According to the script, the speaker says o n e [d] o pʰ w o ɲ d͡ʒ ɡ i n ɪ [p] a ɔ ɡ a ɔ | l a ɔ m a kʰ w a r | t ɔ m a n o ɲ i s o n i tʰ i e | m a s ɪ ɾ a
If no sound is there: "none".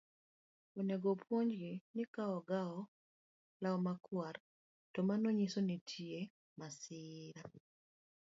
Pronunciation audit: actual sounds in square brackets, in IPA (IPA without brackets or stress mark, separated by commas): ɡ, k